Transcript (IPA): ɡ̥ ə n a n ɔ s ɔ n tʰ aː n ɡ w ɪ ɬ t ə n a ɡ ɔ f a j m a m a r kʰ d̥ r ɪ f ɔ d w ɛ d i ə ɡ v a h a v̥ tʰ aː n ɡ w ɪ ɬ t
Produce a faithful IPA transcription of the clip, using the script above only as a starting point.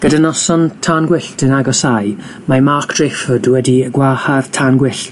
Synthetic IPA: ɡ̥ ə d a n ɔ s ɔ n tʰ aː n ɡ w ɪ ɬ t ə n a ɡ ɔ s a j m a m a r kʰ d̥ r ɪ f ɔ d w ɛ d i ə ɡ w a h a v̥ tʰ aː n ɡ w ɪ ɬ t